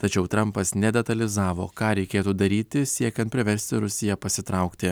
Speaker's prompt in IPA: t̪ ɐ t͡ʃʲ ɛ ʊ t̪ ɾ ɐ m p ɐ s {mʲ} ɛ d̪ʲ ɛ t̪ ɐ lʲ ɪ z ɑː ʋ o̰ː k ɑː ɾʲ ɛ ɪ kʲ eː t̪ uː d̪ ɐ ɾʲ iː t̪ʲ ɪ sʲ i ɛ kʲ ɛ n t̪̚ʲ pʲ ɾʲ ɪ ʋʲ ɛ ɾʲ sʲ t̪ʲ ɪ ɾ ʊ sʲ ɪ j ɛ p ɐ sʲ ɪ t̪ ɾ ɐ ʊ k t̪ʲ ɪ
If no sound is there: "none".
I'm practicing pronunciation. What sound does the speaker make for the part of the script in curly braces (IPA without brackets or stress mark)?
nʲ